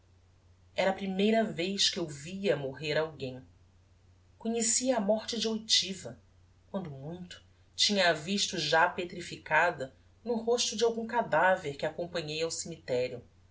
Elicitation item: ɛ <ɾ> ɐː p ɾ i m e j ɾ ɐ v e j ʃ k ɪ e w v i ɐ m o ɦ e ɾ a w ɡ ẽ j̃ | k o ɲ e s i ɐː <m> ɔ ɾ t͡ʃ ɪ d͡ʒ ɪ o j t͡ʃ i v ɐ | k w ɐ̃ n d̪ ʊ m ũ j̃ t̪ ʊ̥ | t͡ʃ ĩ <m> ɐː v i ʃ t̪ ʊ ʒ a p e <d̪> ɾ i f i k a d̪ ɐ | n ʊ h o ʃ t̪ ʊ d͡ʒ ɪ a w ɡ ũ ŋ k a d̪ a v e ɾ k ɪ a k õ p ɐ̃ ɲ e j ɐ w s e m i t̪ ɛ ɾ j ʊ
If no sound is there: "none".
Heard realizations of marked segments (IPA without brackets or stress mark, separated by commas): ɾ, m, ɲ, t̪